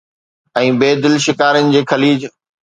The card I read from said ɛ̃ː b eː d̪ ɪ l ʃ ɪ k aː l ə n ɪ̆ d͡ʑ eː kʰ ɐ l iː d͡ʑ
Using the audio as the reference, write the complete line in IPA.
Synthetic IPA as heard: ɛ̃ː b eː d̪ ɪ l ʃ ɪ k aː ɾ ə n ɪ̆ d͡ʑ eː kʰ ɐ l iː d͡ʑ